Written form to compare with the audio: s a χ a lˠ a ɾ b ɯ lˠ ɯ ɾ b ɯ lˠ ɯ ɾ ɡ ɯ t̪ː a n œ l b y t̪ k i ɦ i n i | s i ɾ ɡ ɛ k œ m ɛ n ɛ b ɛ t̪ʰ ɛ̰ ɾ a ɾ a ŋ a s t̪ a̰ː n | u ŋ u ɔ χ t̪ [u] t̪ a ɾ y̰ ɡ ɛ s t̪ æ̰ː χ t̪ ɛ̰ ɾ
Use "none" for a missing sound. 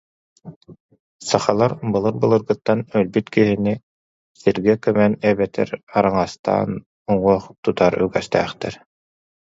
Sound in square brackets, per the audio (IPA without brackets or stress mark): u